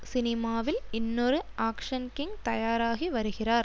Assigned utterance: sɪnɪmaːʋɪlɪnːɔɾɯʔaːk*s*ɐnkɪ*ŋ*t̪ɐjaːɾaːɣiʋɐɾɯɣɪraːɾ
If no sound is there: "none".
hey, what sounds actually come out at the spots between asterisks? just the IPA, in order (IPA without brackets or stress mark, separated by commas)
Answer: ʂ, ŋ